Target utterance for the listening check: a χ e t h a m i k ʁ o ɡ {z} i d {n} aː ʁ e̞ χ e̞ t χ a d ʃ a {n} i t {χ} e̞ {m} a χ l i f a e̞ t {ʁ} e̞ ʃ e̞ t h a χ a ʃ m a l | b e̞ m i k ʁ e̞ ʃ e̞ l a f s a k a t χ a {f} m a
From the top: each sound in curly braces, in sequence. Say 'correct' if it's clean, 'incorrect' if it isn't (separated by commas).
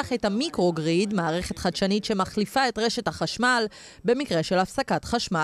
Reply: incorrect, incorrect, correct, incorrect, correct, correct, incorrect